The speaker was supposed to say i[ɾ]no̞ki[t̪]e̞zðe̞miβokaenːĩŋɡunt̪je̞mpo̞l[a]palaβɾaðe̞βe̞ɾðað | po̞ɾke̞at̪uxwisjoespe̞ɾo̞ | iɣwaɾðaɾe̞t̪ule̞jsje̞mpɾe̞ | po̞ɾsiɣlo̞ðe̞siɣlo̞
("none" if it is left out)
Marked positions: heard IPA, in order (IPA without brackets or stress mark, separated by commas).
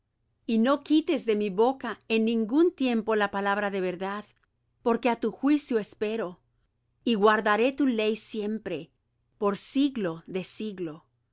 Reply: none, t̪, a